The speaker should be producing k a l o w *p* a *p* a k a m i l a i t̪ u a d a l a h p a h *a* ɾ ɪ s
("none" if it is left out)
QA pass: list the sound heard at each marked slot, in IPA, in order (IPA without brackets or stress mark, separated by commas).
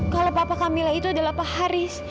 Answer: p, p, a